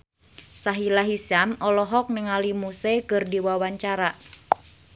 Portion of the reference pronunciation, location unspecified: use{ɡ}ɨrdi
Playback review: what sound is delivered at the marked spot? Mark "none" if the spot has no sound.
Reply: k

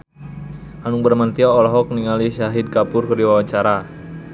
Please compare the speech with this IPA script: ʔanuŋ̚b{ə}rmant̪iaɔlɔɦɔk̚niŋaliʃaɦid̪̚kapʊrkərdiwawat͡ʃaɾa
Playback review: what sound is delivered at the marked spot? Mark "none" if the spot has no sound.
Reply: ə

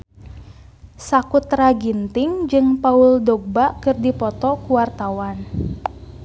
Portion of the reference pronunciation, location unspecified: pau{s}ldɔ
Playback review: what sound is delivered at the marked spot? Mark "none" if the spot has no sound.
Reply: none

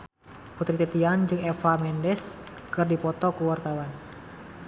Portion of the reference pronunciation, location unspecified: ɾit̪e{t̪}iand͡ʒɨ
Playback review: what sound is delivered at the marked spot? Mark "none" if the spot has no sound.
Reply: t̪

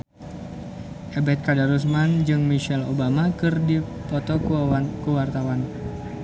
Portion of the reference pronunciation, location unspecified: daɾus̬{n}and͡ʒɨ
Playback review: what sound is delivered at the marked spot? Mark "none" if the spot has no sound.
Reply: m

